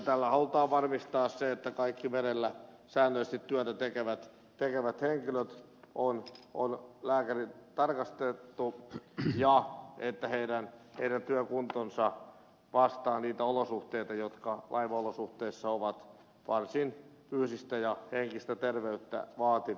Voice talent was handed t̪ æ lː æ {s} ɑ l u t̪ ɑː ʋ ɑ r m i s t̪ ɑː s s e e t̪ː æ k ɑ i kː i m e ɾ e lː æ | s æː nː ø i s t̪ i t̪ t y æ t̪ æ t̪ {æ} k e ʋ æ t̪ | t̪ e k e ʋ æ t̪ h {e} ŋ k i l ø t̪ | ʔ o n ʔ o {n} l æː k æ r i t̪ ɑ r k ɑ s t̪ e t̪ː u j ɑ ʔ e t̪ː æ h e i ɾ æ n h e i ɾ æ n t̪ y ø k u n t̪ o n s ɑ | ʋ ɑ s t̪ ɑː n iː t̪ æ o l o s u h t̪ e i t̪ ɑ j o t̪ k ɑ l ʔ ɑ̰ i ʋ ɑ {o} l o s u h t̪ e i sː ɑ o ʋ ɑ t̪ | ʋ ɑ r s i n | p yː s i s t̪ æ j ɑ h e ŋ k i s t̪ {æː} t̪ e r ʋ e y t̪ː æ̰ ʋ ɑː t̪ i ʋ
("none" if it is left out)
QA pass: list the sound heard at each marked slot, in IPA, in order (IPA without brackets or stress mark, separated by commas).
h, e, e, n, o, æ